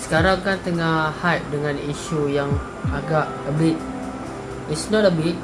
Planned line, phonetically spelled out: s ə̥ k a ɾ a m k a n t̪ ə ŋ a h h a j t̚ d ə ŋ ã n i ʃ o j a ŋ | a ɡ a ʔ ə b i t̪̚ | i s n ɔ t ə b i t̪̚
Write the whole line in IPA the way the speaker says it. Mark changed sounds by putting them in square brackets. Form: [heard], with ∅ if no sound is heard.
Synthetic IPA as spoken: s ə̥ k a ɾ a [ŋ] k a n t̪ ə ŋ a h h a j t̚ d ə ŋ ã n i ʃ [u] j a ŋ | a ɡ a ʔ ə b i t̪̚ | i s n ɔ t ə b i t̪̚